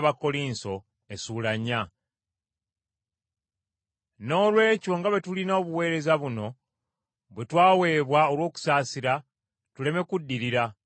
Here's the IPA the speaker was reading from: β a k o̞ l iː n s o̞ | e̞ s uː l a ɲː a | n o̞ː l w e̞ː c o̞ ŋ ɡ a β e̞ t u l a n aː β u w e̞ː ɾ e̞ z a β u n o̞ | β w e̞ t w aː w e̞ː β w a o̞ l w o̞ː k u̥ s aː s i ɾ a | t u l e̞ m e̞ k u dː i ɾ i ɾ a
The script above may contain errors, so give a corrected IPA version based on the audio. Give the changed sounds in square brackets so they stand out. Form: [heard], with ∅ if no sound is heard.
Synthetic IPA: β a k o̞ l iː n s o̞ | e̞ s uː l a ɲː a | n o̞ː l w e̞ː c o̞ ŋ ɡ a β e̞ t u l [i] n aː β u w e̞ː ɾ e̞ z a β u n o̞ | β w e̞ t w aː w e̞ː β w a o̞ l w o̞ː k u̥ s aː s i ɾ a | t u l e̞ m e̞ k u dː i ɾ i ɾ a